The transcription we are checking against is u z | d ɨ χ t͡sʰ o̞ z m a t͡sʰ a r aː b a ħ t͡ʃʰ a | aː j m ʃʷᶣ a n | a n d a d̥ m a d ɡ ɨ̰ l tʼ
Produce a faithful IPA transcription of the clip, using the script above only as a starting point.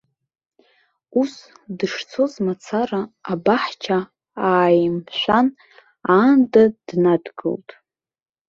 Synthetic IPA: u s | d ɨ ʂ t͡sʰ o̞ z m a t͡sʰ a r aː b a ħ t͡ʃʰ a | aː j m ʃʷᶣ a n | a n d a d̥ n a d ɡ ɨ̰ l tʼ